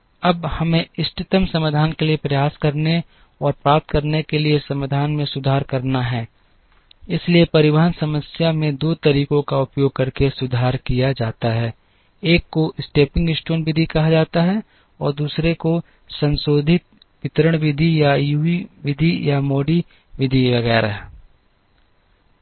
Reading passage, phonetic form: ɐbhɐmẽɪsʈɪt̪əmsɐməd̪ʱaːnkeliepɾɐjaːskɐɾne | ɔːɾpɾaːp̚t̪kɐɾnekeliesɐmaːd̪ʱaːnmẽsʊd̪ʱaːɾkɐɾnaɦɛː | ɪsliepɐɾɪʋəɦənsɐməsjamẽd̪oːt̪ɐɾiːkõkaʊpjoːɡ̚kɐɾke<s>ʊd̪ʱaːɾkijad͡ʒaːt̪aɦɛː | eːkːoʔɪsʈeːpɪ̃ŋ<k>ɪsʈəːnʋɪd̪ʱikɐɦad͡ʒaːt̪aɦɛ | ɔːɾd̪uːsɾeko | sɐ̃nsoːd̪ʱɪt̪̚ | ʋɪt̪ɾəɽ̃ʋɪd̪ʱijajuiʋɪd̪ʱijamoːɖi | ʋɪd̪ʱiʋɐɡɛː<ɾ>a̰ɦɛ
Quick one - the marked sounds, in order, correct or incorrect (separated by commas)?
correct, incorrect, correct